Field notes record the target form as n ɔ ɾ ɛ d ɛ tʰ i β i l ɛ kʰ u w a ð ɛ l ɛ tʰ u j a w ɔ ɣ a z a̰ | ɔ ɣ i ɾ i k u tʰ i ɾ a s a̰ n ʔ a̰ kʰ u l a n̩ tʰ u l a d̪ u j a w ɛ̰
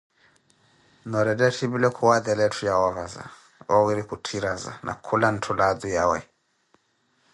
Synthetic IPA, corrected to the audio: n ɔ ɾ ɛ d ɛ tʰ i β i l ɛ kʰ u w a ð ɛ l ɛ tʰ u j a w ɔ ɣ a z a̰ | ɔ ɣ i ɾ i k u tʰ i ɾ a z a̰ n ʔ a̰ kʰ u l a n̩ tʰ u l a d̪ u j a w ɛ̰